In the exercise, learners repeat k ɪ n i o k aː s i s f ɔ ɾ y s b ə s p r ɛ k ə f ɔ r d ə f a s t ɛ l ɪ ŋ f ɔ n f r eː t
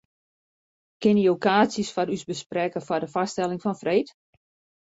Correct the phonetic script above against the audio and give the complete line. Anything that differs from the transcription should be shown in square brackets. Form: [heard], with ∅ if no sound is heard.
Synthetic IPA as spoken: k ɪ n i o k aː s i s f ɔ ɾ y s b ə s p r ɛ k ə f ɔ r d ə f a s t ɛ l ɪ ŋ f ɔ n f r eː t